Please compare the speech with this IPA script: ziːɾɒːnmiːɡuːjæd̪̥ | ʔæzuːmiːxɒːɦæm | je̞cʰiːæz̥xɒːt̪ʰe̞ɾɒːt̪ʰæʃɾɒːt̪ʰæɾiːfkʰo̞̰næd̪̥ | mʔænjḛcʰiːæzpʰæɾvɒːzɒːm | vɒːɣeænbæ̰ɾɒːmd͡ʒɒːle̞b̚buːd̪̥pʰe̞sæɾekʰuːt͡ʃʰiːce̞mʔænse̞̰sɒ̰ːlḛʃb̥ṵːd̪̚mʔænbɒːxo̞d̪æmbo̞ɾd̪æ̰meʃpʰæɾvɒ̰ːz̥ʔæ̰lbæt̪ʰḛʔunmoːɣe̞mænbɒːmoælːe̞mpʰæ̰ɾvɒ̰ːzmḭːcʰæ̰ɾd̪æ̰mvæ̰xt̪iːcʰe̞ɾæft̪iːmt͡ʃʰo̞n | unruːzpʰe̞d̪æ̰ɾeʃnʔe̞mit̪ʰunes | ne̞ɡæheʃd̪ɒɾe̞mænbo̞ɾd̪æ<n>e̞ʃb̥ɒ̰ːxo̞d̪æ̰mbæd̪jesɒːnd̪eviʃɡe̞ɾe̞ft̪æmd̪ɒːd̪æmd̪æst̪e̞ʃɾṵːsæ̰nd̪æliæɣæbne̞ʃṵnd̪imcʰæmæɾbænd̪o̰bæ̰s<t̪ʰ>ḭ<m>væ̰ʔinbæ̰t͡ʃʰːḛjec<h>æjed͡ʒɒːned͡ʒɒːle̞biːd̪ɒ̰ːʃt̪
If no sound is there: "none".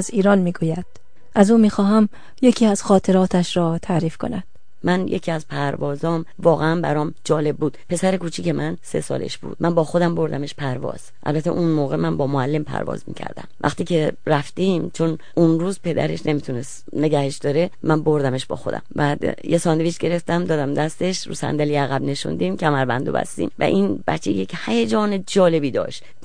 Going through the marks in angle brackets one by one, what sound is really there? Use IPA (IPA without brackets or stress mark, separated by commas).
m, t̪, m, h